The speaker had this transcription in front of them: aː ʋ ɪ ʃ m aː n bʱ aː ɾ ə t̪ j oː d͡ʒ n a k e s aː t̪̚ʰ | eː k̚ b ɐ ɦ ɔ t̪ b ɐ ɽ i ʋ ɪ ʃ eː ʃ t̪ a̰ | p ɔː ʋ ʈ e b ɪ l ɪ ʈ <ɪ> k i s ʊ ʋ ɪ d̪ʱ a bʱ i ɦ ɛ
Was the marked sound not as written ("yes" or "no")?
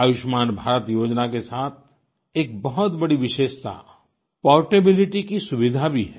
yes